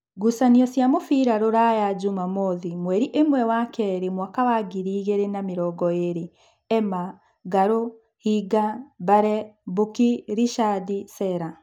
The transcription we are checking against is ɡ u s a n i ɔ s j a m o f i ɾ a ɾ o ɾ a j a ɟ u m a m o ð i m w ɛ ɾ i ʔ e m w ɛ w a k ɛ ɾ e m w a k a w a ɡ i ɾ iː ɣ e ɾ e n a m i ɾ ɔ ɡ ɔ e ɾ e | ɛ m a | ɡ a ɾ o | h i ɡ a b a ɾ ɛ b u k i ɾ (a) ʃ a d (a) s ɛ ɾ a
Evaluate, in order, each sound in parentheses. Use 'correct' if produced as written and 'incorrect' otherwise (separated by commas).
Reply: incorrect, incorrect